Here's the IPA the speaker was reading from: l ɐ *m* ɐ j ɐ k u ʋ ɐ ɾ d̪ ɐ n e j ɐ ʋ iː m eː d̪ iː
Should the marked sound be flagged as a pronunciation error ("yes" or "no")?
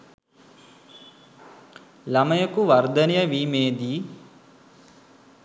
no